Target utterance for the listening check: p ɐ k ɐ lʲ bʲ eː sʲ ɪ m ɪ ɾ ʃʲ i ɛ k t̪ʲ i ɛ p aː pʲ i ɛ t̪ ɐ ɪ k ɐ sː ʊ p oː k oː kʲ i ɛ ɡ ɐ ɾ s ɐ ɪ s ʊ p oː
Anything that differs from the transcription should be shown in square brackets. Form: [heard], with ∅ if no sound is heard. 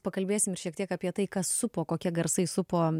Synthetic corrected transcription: p ɐ k ɐ lʲ bʲ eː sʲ ɪ m ɪ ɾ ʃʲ i ɛ k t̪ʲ i ɛ [k] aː pʲ i ɛ t̪ ɐ ɪ k ɐ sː ʊ p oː k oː kʲ i ɛ ɡ ɐ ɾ s ɐ ɪ s ʊ p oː